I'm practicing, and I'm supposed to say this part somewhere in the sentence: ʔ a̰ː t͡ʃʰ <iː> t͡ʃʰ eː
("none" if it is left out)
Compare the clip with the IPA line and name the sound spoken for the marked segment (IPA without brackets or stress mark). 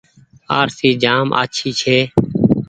iː